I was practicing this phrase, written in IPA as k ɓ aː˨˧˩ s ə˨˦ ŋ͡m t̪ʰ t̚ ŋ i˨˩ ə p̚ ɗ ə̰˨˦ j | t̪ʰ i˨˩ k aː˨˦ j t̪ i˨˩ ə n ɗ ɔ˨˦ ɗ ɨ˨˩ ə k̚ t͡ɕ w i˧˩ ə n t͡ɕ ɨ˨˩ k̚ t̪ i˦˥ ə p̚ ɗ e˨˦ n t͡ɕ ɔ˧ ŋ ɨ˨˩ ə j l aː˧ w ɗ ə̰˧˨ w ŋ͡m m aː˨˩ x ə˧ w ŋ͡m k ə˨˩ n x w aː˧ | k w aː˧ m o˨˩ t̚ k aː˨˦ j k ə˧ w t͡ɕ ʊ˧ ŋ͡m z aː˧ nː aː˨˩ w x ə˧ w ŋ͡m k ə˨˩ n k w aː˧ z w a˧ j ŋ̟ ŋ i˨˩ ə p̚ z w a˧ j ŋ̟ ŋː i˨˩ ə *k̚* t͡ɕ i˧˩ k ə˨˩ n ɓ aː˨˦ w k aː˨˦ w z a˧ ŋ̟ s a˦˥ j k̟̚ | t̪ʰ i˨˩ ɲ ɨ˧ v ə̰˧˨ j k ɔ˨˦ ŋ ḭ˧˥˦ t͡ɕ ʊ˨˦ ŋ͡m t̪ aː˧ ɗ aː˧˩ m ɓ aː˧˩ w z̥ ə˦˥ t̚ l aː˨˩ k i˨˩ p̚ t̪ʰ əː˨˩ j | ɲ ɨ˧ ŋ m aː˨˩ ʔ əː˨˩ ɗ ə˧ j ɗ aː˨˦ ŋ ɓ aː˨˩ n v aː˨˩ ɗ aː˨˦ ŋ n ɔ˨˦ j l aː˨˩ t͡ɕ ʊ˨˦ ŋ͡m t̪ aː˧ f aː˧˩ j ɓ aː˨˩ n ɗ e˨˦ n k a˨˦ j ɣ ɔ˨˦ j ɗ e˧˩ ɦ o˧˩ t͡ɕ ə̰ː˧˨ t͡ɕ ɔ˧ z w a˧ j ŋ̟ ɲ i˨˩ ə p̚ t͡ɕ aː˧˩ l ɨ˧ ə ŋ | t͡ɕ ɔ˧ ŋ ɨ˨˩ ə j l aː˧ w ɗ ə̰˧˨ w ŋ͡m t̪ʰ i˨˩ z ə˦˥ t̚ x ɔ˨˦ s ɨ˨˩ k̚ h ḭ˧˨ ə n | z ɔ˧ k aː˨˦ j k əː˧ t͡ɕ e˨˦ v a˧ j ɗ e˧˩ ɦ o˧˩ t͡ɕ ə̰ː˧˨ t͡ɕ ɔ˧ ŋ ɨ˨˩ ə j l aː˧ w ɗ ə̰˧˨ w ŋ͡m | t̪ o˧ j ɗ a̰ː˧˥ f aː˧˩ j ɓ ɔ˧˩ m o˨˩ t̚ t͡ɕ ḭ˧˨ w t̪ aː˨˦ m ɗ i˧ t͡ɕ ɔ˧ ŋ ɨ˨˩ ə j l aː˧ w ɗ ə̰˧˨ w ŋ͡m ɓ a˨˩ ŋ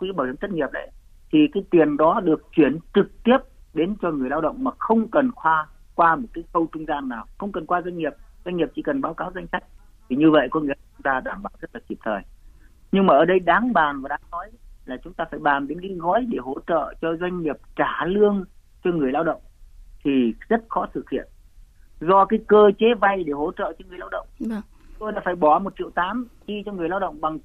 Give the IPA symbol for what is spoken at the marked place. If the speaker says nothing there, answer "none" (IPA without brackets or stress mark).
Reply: p̚